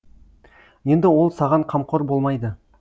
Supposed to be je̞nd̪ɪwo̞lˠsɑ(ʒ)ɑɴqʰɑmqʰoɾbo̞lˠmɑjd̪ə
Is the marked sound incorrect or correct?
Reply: incorrect